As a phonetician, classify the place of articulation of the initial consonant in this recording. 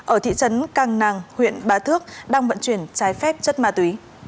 glottal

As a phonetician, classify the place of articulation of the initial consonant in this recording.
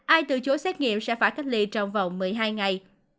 glottal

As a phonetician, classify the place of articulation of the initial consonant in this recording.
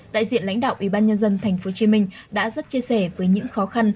alveolar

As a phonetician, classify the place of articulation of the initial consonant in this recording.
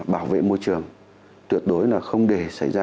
labial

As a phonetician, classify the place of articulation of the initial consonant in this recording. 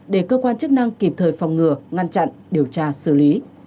alveolar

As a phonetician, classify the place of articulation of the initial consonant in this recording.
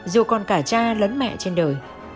alveolar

